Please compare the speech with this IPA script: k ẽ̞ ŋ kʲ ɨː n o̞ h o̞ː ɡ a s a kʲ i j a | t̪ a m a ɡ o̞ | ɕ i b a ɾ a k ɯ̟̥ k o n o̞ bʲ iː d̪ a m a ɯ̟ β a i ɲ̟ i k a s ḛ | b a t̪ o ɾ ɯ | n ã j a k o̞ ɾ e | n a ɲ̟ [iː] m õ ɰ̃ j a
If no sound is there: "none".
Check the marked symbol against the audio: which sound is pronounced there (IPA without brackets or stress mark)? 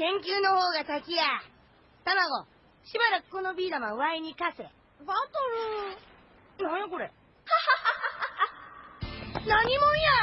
i